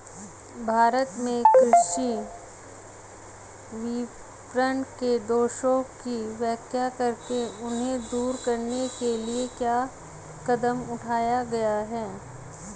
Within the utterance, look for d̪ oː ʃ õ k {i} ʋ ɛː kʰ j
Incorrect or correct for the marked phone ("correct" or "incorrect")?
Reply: correct